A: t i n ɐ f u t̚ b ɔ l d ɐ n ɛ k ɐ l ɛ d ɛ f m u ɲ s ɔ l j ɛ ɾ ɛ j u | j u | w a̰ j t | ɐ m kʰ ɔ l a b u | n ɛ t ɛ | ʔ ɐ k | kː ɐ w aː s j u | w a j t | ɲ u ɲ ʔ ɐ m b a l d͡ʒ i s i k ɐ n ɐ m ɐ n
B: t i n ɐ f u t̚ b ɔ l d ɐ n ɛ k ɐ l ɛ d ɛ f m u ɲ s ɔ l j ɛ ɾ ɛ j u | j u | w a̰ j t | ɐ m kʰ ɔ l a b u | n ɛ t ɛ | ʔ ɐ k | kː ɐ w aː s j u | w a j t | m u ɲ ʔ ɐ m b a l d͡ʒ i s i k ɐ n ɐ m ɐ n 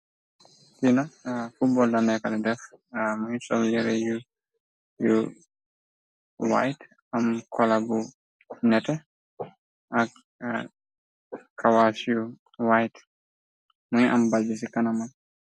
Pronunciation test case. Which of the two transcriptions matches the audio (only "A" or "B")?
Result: B